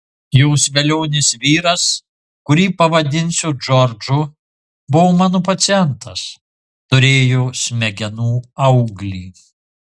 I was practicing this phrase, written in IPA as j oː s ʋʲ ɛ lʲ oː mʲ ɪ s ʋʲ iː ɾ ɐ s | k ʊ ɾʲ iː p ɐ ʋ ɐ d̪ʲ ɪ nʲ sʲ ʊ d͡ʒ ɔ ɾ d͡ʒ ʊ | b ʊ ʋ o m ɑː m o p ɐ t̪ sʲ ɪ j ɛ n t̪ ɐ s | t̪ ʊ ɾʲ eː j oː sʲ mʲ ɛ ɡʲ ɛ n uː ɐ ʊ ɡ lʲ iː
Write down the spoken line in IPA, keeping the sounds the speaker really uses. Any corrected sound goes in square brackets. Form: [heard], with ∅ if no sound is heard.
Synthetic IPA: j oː s ʋʲ ɛ lʲ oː [nʲ] ɪ s ʋʲ iː ɾ ɐ s | k ʊ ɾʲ iː p ɐ ʋ ɐ d̪ʲ ɪ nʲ sʲ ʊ d͡ʒ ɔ ɾ d͡ʒ ʊ | b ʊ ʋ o m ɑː [n] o p ɐ t̪ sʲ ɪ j ɛ n t̪ ɐ s | t̪ ʊ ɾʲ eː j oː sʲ mʲ ɛ ɡʲ ɛ n uː ɐ ʊ ɡ lʲ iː

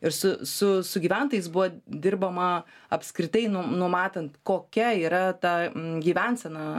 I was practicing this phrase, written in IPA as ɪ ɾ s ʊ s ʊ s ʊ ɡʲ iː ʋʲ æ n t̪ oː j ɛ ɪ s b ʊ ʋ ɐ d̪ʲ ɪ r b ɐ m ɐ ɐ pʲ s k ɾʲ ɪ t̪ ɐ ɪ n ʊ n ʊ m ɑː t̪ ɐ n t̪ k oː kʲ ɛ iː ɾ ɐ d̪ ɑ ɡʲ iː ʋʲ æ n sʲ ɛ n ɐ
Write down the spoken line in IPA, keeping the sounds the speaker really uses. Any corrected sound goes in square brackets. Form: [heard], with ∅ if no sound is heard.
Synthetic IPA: ɪ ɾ s ʊ s ʊ s ʊ ɡʲ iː ʋʲ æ n t̪ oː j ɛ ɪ s b ʊ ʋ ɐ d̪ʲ ɪ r b ɐ m ɐ ɐ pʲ s k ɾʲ ɪ t̪ ɐ ɪ n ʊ n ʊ m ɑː t̪ ɐ n t̪ k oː kʲ ɛ iː ɾ ɐ [t̪] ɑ ɡʲ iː ʋʲ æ n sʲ ɛ n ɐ

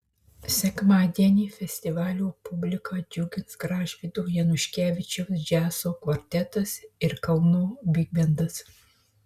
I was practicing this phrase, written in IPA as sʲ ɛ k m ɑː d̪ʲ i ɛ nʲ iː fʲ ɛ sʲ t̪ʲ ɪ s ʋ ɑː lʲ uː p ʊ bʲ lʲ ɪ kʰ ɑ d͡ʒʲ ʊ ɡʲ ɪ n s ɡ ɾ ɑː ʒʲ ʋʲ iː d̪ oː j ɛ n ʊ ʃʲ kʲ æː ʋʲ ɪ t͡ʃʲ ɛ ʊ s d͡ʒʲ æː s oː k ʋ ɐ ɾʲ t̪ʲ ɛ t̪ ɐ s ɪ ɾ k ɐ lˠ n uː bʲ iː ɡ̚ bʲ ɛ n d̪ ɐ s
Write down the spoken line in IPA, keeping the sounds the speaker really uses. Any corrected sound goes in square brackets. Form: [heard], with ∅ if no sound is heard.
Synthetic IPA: sʲ ɛ k m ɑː d̪ʲ i ɛ nʲ iː fʲ ɛ sʲ t̪ʲ ɪ [∅] ʋ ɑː lʲ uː p ʊ bʲ lʲ ɪ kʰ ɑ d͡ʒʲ ʊ ɡʲ ɪ n s ɡ ɾ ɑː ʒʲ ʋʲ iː d̪ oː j ɛ n ʊ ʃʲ kʲ æː ʋʲ ɪ t͡ʃʲ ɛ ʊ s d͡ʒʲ æː s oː k ʋ ɐ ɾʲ t̪ʲ ɛ t̪ ɐ s ɪ ɾ k ɐ lˠ n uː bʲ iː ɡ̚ bʲ ɛ n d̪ ɐ s

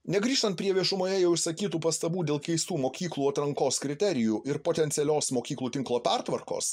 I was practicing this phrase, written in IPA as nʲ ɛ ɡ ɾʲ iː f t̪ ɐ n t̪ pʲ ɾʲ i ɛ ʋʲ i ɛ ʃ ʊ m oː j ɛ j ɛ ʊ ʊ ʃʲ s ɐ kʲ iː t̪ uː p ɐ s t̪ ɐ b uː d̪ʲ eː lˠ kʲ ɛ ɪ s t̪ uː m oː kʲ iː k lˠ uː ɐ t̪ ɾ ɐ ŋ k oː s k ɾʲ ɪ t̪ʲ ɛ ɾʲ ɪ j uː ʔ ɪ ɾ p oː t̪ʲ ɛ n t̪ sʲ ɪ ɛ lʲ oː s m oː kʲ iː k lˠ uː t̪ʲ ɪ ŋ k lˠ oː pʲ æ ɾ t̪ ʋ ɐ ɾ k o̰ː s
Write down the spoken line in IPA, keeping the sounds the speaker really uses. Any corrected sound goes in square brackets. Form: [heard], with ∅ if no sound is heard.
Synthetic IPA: nʲ ɛ ɡ ɾʲ iː [ʃ] t̪ ɐ n t̪ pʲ ɾʲ i ɛ ʋʲ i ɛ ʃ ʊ m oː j ɛ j ɛ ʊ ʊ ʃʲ s ɐ kʲ iː t̪ uː p ɐ s t̪ ɐ b uː d̪ʲ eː lˠ kʲ ɛ ɪ s t̪ uː m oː kʲ iː k lˠ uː ɐ t̪ ɾ ɐ ŋ k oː s k ɾʲ ɪ t̪ʲ ɛ ɾʲ ɪ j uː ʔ ɪ ɾ p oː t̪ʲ ɛ n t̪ sʲ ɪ ɛ lʲ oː s m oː kʲ iː k lˠ uː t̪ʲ ɪ ŋ k lˠ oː pʲ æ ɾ t̪ ʋ ɐ ɾ k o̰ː s

